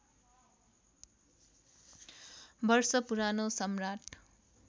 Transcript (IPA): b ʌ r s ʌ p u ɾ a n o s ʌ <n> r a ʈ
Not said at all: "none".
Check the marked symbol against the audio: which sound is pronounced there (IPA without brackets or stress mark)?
m